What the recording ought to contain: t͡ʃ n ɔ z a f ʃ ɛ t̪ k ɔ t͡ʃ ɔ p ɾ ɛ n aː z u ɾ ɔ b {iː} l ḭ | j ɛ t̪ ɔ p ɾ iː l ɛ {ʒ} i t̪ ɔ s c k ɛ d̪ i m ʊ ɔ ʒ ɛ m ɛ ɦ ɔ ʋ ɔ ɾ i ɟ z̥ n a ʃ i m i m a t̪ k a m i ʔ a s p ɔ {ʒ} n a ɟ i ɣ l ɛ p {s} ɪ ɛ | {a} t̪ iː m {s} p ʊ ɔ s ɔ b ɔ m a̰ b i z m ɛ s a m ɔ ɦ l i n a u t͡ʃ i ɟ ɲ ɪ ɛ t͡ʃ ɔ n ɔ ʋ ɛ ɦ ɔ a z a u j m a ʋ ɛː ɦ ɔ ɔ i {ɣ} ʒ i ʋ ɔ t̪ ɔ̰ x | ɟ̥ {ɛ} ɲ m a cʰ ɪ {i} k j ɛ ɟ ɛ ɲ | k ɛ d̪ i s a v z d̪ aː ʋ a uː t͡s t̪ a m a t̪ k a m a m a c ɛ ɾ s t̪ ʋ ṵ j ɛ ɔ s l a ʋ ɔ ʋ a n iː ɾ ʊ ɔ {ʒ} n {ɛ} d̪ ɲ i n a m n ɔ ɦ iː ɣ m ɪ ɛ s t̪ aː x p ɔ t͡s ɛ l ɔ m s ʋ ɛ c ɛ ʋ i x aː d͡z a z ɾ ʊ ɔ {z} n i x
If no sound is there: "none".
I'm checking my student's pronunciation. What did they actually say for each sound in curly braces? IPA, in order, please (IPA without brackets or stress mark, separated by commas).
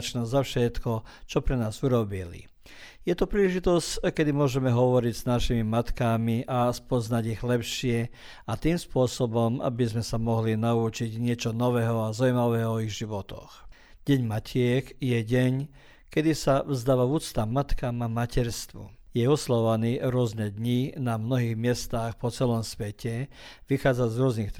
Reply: i, ʒ, z, ʃ, a, s, ɣ, ɛ, ɛ, z, ɛ, z